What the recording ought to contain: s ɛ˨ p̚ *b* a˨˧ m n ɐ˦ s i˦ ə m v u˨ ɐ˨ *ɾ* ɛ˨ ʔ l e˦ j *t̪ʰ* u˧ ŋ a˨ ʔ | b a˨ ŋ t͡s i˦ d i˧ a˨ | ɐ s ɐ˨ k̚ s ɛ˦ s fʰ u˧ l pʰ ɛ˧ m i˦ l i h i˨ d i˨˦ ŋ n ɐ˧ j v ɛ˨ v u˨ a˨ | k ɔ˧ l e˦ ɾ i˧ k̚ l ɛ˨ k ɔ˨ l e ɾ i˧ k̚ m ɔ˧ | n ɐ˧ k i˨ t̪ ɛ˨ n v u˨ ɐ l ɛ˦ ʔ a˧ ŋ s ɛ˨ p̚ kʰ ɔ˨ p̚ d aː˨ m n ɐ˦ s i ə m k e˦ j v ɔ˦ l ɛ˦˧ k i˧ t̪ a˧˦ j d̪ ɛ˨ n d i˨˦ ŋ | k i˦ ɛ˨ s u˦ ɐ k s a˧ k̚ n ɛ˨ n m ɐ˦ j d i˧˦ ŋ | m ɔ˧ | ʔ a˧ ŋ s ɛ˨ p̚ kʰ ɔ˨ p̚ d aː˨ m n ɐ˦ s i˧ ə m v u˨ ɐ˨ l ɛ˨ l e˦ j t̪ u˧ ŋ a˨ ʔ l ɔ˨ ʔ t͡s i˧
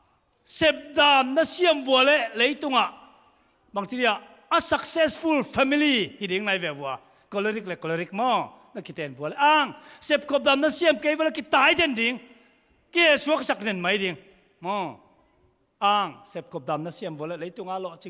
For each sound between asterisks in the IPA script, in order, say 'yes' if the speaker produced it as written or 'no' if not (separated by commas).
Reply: no, no, no